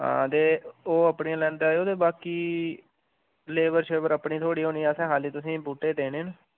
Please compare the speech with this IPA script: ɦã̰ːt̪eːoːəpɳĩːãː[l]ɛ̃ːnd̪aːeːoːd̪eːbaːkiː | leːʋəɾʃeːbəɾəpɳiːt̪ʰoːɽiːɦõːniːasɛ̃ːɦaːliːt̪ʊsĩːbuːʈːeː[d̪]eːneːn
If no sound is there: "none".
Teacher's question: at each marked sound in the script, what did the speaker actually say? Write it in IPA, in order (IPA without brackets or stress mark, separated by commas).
l, d̪